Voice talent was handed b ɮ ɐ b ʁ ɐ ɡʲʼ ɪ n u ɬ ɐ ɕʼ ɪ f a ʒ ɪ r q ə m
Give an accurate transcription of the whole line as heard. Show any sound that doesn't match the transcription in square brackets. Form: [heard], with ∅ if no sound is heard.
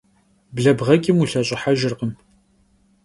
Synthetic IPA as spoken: b ɮ ɐ b ʁ ɐ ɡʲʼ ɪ [m] u ɬ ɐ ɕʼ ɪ [ħ] a ʒ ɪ r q ə m